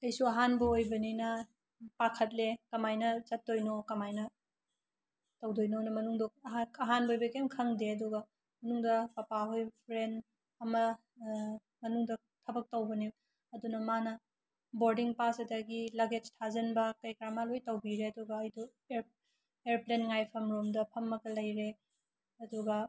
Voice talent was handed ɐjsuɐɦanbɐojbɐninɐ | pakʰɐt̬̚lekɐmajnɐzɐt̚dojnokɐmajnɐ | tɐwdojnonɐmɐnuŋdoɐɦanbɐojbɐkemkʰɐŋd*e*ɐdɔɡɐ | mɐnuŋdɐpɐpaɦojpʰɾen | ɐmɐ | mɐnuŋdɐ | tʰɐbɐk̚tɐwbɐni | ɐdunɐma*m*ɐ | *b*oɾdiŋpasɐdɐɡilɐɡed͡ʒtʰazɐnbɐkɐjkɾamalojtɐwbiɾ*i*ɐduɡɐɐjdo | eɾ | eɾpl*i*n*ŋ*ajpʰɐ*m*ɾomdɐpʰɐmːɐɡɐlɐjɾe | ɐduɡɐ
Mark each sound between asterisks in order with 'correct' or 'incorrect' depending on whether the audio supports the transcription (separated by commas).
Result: correct, incorrect, correct, incorrect, incorrect, correct, correct